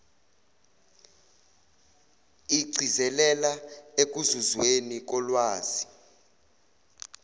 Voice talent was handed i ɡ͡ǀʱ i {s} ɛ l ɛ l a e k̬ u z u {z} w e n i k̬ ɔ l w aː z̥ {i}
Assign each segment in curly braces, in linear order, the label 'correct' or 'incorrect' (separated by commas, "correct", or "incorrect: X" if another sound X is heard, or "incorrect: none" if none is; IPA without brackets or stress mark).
incorrect: z, correct, correct